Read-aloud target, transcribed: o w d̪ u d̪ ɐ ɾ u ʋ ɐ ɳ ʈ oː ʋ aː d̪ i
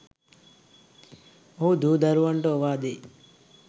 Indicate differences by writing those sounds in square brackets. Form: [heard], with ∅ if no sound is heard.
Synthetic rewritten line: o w d̪ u d̪ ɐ ɾ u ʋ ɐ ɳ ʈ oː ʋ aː d̪ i